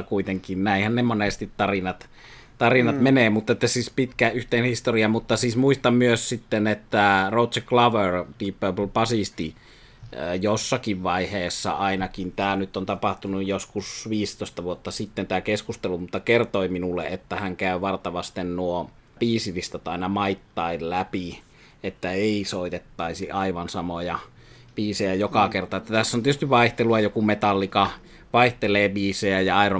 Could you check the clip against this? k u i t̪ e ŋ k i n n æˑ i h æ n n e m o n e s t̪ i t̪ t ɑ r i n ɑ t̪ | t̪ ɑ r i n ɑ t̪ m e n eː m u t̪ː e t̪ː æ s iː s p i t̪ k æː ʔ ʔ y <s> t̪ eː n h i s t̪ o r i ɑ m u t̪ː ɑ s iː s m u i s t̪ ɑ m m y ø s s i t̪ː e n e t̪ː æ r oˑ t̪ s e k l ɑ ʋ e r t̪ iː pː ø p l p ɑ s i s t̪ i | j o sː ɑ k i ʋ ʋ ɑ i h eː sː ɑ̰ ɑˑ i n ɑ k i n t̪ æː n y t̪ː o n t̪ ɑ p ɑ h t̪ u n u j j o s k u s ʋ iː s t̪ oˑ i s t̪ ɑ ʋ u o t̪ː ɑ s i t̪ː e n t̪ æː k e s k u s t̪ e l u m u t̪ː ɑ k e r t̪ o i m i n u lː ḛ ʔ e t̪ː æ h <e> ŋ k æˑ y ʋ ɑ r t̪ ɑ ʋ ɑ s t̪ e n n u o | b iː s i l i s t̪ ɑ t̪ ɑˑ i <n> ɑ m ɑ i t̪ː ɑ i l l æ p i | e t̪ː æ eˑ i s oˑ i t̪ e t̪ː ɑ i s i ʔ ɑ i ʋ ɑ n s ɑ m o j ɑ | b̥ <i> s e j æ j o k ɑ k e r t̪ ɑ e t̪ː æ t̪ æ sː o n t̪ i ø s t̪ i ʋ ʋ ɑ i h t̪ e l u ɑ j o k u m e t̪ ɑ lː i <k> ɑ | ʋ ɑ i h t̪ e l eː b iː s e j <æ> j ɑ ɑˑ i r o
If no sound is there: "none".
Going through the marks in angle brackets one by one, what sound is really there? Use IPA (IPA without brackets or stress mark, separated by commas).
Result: h, æ, n, iː, k, æ